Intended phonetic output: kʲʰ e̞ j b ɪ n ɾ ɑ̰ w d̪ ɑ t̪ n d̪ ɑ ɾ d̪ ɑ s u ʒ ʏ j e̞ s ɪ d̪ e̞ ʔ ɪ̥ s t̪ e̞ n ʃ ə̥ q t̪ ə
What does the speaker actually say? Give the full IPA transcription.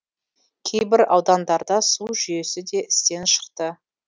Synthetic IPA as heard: kʲʰ e̞ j b ɪ ɾ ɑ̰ w d̪ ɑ n d̪ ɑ ɾ d̪ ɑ s u ʒ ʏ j e̞ s ɪ d̪ e̞ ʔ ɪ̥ s t̪ e̞ n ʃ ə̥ q t̪ ə